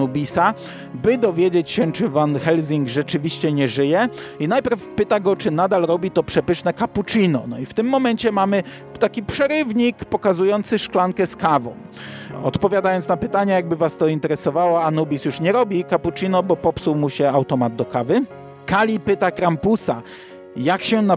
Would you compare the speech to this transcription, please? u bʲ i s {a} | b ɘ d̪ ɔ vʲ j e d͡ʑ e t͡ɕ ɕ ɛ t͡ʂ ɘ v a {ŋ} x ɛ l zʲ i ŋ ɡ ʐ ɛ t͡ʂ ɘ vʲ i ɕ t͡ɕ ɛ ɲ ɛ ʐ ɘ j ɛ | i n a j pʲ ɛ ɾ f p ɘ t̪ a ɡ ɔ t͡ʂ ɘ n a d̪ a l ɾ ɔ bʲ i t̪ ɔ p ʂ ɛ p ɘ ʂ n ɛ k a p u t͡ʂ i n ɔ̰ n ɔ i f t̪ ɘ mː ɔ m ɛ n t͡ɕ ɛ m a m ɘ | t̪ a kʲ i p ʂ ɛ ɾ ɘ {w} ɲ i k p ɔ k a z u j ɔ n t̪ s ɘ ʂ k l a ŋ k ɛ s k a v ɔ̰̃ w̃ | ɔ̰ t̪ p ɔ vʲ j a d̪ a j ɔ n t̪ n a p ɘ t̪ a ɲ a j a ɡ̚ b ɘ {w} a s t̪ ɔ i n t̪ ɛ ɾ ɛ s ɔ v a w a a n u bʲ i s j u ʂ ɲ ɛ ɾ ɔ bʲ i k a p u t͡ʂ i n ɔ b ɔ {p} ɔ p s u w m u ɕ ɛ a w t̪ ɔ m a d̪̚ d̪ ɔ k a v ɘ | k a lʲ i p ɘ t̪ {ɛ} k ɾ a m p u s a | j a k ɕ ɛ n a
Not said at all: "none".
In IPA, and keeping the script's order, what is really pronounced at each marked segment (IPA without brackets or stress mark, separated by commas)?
a, n, v, v, p, a